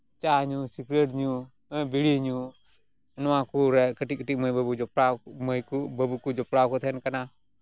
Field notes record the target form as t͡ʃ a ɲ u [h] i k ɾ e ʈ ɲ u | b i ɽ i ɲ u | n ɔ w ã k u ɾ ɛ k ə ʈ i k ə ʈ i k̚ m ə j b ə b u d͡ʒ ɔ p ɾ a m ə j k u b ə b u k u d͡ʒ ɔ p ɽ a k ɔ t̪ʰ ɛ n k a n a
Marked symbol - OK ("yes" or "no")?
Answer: no